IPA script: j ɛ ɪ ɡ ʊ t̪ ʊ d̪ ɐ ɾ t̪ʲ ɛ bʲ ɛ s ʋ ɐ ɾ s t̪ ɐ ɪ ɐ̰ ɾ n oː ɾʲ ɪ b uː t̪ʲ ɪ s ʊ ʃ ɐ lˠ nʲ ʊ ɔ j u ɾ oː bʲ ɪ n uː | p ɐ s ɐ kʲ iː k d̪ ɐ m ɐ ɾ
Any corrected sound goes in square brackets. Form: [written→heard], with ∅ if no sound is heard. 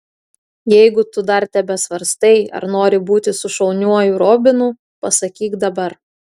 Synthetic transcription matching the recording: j ɛ ɪ ɡ ʊ t̪ ʊ d̪ ɐ ɾ t̪ʲ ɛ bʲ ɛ s ʋ ɐ ɾ s t̪ ɐ ɪ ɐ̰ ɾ n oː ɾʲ ɪ b uː t̪ʲ ɪ s ʊ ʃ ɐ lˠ nʲ [ʊ→u] ɔ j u ɾ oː bʲ ɪ n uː | p ɐ s ɐ kʲ iː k d̪ ɐ [m→b] ɐ ɾ